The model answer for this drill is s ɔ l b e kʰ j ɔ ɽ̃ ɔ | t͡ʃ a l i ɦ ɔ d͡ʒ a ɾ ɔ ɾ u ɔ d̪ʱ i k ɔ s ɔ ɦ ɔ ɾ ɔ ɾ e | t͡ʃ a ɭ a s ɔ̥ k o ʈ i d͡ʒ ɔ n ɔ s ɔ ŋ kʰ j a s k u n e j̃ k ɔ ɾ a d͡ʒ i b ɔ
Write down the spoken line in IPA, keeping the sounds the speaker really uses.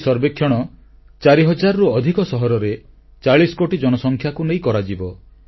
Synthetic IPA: s ɔ ɾ b e kʰ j ɔ ɽ̃ ɔ | t͡ʃ a ɾ i ɦ ɔ d͡ʒ a ɾ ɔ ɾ u ɔ d̪ʱ i k ɔ s ɔ ɦ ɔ ɾ ɔ ɾ e | t͡ʃ a ɭ i s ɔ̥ k o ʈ i d͡ʒ ɔ n ɔ s ɔ ŋ kʰ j a k u n e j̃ k ɔ ɾ a d͡ʒ i b ɔ